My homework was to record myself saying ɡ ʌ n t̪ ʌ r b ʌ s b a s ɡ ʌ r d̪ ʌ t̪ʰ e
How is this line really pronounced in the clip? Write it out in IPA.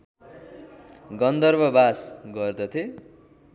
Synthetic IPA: ɡ ʌ n d̪ ʌ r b ʌ b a s ɡ ʌ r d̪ ʌ t̪ʰ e